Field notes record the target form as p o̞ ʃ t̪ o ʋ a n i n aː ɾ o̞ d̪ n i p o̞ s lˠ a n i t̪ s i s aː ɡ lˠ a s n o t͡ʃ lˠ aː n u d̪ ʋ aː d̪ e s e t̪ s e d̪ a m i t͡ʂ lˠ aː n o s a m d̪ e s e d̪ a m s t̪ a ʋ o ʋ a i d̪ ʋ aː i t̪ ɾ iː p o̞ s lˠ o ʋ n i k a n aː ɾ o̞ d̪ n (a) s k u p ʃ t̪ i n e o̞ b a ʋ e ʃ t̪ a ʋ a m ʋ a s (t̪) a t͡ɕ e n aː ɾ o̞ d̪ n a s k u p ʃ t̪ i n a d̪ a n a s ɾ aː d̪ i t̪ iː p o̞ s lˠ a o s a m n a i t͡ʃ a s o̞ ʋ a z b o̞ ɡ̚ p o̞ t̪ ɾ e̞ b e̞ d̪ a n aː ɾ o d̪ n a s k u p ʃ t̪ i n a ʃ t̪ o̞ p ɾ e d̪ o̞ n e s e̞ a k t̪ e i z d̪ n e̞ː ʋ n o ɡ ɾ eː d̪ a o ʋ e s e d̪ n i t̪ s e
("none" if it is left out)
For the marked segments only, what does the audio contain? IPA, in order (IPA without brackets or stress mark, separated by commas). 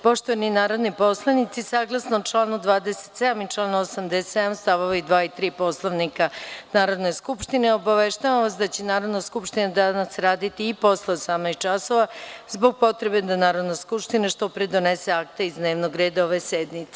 e, d̪